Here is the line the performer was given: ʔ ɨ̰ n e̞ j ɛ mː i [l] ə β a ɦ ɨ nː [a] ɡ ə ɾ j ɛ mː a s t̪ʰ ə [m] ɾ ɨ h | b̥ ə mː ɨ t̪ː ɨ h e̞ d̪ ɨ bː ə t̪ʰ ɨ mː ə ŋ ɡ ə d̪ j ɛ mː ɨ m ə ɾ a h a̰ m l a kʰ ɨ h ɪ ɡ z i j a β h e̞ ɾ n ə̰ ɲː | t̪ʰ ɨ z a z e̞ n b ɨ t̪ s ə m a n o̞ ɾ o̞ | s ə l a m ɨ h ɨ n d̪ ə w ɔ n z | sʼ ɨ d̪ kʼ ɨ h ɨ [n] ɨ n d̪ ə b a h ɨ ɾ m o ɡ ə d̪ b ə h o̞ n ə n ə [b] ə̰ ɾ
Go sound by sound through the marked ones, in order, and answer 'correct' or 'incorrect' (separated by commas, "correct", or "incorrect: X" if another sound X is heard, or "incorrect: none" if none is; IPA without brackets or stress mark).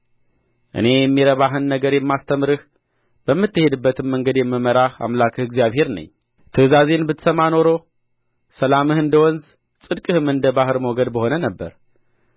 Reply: incorrect: ɾ, incorrect: ə, correct, incorrect: m, incorrect: bː